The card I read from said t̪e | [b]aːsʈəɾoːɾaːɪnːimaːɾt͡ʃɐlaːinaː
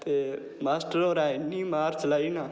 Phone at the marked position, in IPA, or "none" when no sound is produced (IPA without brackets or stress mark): m